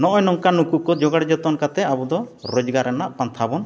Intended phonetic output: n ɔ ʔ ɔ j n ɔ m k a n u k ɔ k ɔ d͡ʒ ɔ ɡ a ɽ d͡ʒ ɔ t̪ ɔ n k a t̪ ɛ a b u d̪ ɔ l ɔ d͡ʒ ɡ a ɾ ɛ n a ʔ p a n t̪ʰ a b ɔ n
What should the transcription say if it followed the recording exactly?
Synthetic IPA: n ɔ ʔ ɔ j n ɔ ŋ k a n u k u k ɔ d͡ʒ ɔ ɡ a ɽ d͡ʒ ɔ t̪ ɔ n k a t̪ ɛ a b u d̪ ɔ ɾ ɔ d͡ʒ ɡ a ɾ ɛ n a ʔ p a n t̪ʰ a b ɔ n